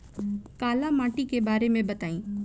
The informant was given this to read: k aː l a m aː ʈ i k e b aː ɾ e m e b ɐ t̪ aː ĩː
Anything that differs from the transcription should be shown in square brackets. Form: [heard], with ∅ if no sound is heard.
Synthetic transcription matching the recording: k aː l a m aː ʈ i k e b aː ɾ e m [ẽ] b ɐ t̪ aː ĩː